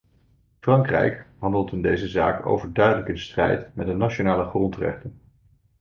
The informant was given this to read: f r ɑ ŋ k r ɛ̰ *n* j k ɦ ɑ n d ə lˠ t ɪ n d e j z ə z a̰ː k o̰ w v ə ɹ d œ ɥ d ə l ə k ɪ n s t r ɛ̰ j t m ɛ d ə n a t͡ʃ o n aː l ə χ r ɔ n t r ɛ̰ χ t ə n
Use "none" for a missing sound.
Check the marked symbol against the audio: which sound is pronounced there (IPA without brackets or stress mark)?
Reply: none